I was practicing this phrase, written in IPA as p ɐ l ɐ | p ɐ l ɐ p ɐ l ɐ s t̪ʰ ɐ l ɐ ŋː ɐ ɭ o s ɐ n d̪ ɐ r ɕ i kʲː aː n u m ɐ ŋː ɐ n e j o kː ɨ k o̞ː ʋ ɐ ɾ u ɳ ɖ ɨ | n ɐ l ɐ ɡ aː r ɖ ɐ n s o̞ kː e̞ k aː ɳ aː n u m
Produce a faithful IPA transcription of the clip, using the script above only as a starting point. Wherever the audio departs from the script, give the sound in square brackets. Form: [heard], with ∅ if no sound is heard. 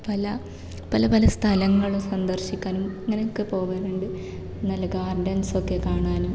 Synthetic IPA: p ɐ l ɐ | p ɐ l ɐ p ɐ l ɐ s t̪ʰ ɐ l ɐ ŋː ɐ ɭ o s ɐ n d̪ ɐ r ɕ i kʲː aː n u m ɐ ŋː ɐ n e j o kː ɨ [p] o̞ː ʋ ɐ ɾ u ɳ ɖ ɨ | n ɐ l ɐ ɡ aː r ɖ ɐ n s o̞ kː e̞ k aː ɳ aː n u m